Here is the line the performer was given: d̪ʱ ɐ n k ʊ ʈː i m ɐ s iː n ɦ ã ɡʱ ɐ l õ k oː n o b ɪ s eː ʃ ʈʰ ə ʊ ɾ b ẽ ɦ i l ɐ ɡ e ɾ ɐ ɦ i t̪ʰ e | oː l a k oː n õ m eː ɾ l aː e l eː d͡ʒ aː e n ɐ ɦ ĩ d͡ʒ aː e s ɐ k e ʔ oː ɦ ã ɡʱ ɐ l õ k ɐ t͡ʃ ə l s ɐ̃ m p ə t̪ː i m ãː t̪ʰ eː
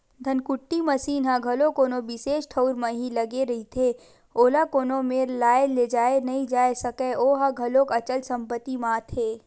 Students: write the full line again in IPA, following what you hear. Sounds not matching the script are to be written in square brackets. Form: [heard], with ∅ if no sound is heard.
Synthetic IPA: d̪ʱ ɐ n k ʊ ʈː i m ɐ s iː n ɦ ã ɡʱ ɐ l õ k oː n o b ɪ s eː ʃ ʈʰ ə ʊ ɾ [m] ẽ ɦ i l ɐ ɡ e ɾ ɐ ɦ i t̪ʰ e | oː l a k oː n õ m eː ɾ l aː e l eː d͡ʒ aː e n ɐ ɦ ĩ d͡ʒ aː e s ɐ k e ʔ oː ɦ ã ɡʱ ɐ l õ k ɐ t͡ʃ ə l s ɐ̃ m p ə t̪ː i m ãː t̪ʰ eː